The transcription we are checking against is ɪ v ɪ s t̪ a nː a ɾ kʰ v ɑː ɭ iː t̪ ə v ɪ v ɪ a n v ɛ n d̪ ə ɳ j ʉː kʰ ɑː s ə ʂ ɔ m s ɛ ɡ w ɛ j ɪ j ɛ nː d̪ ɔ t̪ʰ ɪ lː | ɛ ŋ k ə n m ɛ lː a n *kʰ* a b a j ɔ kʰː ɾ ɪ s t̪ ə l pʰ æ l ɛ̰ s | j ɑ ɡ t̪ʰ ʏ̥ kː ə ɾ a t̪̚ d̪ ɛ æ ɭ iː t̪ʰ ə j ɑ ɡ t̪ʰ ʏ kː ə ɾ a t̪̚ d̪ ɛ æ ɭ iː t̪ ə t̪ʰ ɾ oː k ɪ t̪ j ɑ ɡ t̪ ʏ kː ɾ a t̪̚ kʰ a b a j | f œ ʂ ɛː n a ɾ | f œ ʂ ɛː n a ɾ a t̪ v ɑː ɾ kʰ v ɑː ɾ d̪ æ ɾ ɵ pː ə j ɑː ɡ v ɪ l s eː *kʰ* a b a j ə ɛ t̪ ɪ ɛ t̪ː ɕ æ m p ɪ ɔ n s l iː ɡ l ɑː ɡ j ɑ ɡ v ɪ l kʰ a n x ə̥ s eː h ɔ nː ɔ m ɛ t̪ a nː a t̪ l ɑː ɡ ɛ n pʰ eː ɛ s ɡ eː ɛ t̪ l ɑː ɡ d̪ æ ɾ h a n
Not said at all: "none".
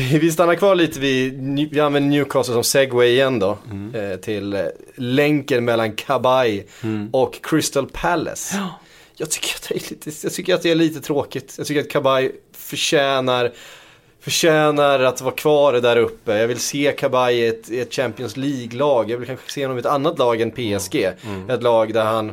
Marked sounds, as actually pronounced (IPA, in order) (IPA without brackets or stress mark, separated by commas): kʰ, kʰ